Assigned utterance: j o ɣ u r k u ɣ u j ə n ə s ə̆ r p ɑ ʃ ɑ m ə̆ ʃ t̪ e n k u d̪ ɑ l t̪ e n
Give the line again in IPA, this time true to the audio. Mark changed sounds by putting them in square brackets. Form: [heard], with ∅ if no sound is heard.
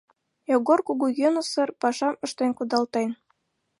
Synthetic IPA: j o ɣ [o] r k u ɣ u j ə n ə s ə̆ r p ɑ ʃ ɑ m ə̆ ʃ t̪ e n k u d̪ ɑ l t̪ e n